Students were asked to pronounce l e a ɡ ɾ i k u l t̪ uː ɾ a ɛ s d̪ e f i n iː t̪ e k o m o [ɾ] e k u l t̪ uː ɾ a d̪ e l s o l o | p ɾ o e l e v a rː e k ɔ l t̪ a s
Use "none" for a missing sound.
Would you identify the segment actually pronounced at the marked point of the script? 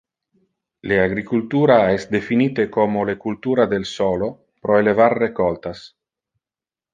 l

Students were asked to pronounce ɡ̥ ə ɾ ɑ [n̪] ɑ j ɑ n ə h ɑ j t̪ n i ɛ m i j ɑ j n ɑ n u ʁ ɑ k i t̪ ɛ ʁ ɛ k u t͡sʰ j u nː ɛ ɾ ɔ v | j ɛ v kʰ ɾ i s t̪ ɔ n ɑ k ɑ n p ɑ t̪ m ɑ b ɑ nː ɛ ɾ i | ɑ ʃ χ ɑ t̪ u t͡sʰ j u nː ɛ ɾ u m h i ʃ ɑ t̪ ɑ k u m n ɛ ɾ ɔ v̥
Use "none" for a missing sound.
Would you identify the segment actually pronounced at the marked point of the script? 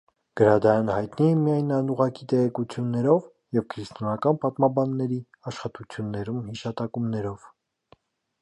d̪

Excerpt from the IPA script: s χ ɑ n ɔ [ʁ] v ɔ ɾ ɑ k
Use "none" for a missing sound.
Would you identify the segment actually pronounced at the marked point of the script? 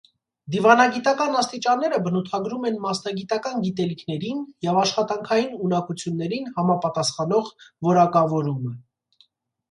ʁ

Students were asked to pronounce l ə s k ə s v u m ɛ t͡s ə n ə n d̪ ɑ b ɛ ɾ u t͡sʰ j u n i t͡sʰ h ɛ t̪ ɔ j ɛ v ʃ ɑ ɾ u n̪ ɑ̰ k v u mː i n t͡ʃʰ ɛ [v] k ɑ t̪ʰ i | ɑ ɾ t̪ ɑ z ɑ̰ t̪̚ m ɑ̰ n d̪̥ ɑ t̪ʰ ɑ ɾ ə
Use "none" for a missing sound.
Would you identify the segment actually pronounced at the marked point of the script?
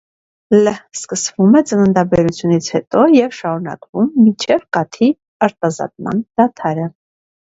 v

